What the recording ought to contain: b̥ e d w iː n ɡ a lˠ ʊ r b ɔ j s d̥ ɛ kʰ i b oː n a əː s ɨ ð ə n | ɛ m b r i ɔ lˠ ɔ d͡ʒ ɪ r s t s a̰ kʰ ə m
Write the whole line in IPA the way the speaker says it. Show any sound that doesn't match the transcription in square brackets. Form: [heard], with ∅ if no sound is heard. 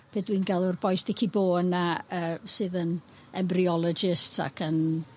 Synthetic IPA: b̥ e d w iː n ɡ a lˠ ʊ r b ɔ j s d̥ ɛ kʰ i b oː n a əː s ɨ ð ə n | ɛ m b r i ɔ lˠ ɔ d͡ʒ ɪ [∅] s t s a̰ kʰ ə [n]

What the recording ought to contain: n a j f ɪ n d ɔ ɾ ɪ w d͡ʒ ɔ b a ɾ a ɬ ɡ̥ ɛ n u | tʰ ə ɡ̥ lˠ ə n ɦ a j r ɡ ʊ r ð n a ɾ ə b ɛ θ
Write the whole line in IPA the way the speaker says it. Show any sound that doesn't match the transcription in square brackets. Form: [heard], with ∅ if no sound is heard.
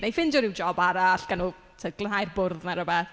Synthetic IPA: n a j f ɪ n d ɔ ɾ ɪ w d͡ʒ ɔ b a ɾ a ɬ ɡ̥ [a] n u | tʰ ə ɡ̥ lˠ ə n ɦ a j r [b] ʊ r ð n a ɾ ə b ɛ θ

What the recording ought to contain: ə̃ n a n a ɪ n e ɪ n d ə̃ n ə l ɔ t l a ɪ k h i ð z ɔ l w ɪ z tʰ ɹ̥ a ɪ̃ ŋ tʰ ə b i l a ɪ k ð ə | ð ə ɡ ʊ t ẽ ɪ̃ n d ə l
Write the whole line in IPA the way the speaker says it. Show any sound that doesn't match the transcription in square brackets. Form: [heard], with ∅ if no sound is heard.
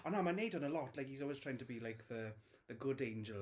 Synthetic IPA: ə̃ n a [m] a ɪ n e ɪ [∅] d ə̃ n ə l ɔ t l a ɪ k h i [∅] z ɔ l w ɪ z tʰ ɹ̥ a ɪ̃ ŋ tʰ ə b i l a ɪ k ð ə | ð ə ɡ ʊ [d] ẽ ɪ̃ n [d͡ʒ] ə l

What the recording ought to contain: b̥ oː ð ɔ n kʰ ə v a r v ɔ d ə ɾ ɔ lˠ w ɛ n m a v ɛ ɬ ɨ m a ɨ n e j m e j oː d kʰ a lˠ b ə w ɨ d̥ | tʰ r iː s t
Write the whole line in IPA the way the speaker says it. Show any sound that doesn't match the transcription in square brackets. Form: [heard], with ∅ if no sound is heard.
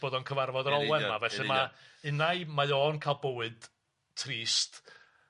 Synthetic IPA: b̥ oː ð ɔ n kʰ ə v a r v ɔ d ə ɾ ɔ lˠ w ɛ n m a v ɛ ɬ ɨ m a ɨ n [a] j m [a] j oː [n] kʰ a lˠ b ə w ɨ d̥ | tʰ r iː s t

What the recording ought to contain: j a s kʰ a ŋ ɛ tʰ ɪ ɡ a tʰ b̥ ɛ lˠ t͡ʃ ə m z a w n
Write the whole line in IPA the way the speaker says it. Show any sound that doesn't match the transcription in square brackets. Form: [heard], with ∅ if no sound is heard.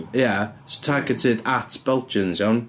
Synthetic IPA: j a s [tʰ] a [ɡ] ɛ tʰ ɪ [d] a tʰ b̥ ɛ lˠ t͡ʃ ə [n] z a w n

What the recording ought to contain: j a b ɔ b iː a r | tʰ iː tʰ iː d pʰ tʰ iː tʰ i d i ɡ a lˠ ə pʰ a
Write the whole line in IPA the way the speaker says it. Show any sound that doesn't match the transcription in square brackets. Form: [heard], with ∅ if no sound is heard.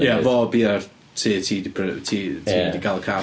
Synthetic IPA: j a [v] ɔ b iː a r | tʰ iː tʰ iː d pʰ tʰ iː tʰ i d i ɡ a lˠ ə [kʰ] a

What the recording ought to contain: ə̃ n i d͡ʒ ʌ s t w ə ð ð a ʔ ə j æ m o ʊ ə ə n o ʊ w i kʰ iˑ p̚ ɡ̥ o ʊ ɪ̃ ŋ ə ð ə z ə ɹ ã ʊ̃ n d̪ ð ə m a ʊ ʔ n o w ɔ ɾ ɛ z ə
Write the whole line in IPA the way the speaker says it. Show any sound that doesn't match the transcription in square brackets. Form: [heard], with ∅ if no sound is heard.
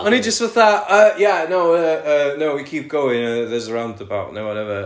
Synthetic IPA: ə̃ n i d͡ʒ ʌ s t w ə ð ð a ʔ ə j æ [n] o ʊ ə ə n o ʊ w i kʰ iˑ p̚ ɡ̥ o ʊ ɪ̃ ŋ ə ð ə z ə ɹ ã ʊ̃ n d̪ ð ə [b] a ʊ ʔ n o w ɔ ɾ ɛ [v] ə

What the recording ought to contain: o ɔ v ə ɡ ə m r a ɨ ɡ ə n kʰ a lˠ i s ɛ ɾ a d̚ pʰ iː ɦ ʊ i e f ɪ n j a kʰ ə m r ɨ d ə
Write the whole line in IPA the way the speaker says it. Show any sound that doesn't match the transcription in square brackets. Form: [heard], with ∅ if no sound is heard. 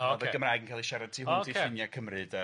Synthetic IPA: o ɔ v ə ɡ ə m r a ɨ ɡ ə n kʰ a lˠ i [ʃ] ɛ ɾ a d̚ [tʰ] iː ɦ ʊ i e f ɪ n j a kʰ ə m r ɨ d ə

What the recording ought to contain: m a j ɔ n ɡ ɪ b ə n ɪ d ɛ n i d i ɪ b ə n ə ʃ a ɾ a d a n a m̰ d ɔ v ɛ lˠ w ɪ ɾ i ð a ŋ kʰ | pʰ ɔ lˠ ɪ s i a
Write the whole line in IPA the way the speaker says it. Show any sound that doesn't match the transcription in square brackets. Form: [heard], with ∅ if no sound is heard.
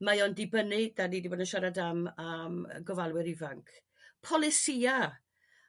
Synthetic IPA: m a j ɔ n [d] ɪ b ə n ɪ d [a] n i d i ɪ b ə n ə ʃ a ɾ a d a [m] a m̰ [ɡ] ɔ v [a] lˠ w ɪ ɾ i [v] a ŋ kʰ | pʰ ɔ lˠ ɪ s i a

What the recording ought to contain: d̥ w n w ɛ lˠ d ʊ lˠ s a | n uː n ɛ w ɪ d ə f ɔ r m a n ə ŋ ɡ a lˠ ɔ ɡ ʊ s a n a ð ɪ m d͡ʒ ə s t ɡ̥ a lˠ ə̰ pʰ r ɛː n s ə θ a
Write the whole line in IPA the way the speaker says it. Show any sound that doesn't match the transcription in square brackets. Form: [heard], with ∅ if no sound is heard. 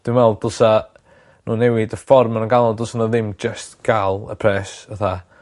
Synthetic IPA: d̥ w n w ɛ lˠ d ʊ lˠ s a | n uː n ɛ w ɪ d ə f ɔ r m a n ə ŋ ɡ a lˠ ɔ [d] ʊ s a n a ð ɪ m d͡ʒ ə s t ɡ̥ a lˠ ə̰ pʰ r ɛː [∅] s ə θ a

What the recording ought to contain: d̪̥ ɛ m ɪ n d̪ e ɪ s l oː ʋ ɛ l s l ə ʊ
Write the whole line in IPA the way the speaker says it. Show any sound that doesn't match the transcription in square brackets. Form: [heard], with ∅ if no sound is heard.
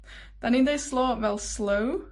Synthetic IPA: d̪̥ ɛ [n] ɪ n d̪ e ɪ s l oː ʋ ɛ l s l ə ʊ

